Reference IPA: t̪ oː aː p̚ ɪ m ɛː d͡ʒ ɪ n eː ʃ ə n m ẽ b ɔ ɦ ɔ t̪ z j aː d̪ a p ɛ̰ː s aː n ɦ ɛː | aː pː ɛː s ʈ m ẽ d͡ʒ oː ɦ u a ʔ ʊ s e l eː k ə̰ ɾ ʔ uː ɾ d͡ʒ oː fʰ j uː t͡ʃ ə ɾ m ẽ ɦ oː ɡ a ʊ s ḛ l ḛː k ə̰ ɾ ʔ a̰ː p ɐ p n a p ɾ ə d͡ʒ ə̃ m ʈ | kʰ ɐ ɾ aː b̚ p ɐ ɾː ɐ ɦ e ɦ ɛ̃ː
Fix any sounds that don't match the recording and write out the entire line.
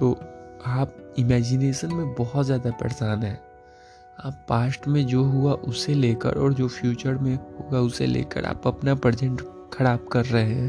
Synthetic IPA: t̪ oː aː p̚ ɪ m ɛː d͡ʒ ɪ n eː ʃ ə n m ẽ b ɔ ɦ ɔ t̪ z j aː d̪ a p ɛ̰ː s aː n ɦ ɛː | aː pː aː s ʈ m ẽ d͡ʒ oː ɦ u a ʔ ʊ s e l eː k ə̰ ɾ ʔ ɔː ɾ d͡ʒ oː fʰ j uː t͡ʃ ə ɾ m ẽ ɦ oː ɡ a ʊ s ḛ l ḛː k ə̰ ɾ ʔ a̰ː p ɐ p n a p ɾ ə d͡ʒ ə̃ ɳ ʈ | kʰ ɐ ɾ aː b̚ k ɐ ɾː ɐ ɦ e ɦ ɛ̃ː